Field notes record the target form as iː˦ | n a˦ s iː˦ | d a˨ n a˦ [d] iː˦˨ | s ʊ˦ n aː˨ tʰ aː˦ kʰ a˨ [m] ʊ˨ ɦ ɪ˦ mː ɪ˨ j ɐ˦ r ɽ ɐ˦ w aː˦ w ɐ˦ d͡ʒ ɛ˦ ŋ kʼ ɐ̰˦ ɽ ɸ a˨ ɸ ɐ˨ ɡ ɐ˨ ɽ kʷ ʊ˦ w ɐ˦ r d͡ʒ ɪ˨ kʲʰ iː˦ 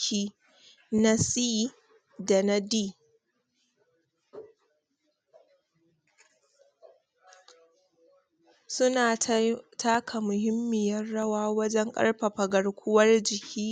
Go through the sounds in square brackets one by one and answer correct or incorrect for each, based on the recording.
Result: correct, correct

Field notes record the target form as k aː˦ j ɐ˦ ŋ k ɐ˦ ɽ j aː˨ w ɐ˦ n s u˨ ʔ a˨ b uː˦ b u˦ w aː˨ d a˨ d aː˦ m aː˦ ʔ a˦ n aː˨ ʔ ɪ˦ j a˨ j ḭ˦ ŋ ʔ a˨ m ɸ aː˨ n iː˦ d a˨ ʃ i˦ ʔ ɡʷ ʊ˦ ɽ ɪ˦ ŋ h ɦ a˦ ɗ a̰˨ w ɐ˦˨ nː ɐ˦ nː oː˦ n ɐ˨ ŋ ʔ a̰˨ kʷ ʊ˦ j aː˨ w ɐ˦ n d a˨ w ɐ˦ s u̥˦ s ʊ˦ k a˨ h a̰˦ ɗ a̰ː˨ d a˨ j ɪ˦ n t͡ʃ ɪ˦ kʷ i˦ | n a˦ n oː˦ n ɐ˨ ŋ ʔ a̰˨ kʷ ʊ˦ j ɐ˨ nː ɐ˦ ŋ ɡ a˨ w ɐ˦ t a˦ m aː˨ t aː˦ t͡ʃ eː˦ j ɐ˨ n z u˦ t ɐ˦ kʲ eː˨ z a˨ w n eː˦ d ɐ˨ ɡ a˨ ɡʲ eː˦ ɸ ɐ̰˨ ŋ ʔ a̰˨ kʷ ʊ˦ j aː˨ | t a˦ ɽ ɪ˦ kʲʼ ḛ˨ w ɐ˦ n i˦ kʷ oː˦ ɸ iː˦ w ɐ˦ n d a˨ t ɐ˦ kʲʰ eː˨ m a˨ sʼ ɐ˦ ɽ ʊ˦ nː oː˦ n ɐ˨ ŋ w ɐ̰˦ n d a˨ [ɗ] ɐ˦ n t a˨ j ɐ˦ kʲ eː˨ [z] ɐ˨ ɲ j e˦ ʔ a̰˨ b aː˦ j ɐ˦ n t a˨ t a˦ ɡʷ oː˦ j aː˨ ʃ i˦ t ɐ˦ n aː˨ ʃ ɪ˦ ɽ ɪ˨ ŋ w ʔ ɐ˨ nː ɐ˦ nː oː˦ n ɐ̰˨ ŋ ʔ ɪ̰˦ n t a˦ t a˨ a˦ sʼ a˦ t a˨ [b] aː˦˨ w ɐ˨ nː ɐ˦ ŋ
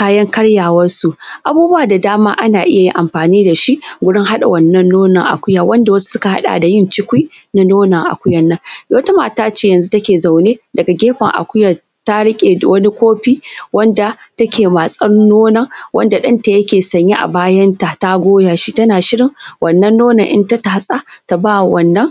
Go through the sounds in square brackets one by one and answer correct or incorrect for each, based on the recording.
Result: correct, incorrect: s, correct

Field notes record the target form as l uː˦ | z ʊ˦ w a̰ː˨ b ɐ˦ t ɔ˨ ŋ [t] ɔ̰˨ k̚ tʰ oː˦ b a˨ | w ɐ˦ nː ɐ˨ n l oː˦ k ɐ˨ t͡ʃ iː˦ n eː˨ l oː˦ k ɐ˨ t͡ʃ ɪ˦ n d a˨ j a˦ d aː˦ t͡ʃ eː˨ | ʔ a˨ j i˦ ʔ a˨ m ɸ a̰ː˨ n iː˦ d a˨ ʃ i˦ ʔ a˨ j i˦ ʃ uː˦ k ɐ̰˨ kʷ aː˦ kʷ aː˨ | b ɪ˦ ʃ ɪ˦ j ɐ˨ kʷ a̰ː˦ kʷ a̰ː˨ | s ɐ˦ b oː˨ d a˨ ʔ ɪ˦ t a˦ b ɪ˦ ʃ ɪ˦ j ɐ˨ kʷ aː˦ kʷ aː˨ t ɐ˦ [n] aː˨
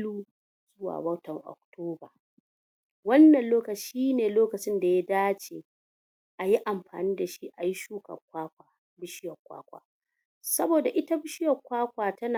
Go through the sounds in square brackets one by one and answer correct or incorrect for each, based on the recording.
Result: incorrect: ʔ, correct

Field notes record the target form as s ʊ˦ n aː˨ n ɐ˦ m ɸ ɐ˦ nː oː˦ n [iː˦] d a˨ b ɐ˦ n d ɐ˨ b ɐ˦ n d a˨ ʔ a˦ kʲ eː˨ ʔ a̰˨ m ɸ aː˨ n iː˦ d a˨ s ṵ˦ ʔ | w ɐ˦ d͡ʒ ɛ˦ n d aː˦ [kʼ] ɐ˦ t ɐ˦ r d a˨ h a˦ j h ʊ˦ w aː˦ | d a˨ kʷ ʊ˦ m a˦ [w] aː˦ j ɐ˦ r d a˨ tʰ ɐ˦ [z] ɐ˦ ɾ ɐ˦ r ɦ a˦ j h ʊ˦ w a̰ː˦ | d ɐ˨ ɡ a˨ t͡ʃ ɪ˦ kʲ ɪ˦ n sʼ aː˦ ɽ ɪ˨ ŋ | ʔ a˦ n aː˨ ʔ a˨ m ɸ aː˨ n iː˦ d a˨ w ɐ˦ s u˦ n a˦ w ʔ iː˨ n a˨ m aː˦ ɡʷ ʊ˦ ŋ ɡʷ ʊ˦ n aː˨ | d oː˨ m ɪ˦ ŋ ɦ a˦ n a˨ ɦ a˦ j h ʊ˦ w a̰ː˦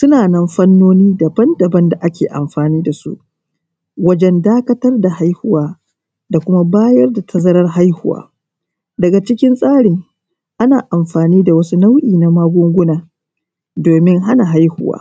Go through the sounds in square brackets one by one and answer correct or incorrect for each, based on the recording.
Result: correct, incorrect: k, incorrect: b, correct

